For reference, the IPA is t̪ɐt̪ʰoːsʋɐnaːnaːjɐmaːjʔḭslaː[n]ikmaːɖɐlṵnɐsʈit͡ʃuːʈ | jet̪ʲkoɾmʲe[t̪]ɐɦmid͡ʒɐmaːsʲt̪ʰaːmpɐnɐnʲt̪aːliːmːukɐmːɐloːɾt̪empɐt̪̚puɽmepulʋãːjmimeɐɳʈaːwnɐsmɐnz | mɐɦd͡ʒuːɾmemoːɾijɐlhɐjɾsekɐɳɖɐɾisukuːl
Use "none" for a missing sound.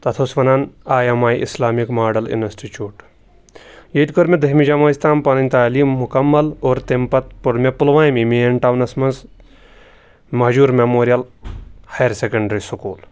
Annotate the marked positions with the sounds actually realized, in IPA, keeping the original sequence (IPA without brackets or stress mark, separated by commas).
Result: m, d̪